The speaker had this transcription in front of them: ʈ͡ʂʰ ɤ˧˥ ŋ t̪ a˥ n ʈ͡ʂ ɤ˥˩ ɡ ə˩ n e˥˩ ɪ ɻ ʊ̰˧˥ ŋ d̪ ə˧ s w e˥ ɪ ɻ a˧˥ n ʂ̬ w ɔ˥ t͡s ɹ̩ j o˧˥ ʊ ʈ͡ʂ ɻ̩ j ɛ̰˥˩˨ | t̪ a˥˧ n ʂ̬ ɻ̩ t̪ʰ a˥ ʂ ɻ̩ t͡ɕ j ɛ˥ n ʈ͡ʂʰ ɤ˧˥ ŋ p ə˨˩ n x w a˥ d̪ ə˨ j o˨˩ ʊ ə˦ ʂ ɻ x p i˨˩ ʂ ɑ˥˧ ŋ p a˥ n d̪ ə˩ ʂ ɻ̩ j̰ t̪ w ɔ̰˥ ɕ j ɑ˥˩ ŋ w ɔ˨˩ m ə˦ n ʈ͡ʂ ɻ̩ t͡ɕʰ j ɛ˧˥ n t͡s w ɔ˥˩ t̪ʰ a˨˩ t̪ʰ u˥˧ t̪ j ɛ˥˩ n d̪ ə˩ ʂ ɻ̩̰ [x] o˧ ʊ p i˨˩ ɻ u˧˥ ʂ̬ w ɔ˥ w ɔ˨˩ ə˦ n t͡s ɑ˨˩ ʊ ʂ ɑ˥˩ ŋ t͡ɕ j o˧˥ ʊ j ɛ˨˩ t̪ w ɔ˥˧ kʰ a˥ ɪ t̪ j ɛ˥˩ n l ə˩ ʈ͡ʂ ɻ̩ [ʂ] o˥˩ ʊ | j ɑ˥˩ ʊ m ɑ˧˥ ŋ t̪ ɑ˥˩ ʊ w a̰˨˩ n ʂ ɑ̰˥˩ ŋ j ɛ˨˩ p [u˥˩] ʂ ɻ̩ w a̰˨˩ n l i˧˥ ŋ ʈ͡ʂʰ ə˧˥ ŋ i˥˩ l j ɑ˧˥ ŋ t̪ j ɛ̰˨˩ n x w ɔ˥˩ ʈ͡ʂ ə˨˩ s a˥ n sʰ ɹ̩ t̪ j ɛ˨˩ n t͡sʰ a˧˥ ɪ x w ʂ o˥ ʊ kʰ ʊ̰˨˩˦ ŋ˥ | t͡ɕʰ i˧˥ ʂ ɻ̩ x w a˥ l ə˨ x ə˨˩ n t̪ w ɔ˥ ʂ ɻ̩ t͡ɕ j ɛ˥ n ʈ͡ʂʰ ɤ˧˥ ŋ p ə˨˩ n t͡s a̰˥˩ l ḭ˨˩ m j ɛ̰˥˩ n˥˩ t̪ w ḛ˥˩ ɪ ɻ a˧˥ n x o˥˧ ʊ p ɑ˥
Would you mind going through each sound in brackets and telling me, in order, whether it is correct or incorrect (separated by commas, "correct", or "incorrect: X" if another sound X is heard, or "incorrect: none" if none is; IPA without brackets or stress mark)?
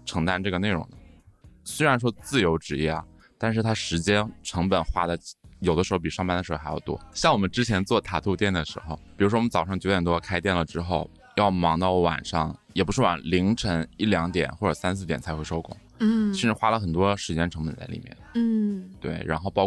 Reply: correct, incorrect: x, incorrect: u˧˥